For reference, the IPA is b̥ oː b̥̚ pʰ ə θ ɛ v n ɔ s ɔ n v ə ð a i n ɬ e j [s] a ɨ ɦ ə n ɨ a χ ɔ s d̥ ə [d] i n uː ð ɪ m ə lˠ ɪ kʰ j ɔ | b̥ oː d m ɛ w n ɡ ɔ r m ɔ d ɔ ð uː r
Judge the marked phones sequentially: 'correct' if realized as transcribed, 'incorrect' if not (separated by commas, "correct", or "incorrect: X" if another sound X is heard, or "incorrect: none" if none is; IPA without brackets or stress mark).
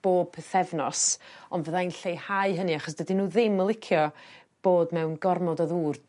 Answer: incorrect: h, correct